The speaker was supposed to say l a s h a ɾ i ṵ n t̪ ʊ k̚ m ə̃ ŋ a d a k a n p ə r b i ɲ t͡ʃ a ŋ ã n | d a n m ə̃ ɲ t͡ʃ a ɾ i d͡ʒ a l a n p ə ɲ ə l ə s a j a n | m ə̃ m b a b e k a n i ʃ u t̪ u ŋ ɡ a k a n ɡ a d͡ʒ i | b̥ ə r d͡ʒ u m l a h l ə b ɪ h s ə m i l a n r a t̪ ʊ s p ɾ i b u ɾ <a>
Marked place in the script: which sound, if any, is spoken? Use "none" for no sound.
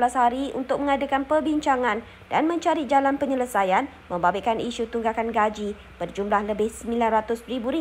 i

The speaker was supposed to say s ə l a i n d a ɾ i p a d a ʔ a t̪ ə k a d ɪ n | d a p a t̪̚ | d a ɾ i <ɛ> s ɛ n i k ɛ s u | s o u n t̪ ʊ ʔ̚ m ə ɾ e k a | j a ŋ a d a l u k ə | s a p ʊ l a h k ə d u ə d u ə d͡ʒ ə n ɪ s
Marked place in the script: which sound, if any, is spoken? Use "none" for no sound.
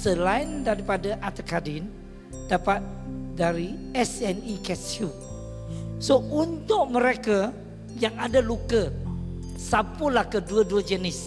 ɛ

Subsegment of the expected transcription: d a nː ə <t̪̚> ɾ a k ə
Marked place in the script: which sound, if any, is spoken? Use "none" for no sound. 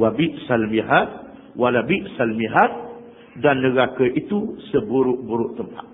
none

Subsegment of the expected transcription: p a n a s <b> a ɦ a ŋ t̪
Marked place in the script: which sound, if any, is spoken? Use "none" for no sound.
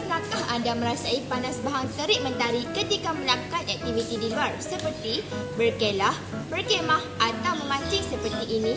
b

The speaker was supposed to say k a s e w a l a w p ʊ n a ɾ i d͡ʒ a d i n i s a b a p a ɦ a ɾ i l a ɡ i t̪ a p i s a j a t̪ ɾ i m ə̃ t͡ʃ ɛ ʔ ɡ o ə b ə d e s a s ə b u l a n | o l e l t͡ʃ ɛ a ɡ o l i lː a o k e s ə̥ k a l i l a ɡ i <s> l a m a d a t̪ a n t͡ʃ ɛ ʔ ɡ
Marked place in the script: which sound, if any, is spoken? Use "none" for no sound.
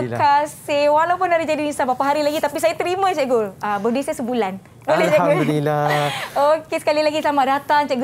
s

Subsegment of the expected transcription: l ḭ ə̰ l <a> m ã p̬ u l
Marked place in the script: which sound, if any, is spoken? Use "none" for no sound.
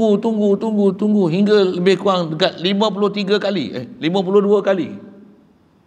i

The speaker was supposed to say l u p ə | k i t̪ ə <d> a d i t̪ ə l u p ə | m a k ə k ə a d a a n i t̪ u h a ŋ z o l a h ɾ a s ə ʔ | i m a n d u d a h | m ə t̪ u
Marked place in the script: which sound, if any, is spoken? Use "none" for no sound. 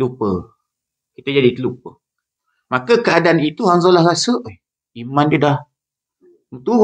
d͡ʒ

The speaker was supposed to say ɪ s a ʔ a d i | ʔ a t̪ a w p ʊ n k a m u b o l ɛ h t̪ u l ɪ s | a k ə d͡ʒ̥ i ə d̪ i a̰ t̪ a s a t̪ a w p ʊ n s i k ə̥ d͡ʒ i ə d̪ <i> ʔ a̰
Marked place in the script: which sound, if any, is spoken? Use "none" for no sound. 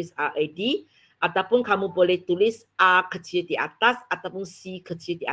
i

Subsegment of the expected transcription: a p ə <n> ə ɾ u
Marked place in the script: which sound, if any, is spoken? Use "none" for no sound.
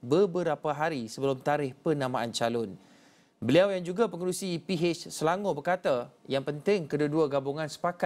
ŋ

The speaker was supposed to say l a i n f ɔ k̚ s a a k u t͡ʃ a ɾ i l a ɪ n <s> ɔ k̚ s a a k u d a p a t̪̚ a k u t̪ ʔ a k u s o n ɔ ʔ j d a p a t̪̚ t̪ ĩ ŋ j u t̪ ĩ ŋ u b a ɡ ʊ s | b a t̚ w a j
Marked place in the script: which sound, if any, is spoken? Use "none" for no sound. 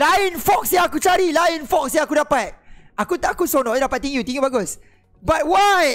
f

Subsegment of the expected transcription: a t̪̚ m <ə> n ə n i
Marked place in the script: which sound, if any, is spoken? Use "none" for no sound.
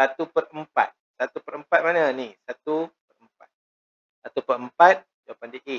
a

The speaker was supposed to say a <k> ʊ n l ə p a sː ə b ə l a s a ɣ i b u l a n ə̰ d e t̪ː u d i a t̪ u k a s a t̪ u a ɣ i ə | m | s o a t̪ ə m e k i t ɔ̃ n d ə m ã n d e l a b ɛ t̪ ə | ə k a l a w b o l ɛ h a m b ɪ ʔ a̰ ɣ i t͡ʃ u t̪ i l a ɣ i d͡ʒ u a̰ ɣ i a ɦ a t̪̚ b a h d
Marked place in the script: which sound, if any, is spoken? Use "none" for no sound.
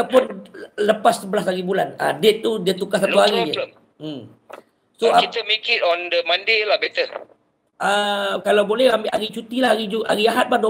p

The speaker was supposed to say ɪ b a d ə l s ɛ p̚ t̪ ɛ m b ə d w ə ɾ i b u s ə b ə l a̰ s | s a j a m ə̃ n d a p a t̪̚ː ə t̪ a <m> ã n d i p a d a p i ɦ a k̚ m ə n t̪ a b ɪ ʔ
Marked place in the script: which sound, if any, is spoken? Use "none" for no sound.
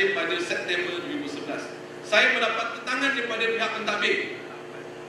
ŋ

